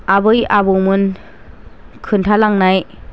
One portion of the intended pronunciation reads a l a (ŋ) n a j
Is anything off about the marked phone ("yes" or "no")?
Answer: no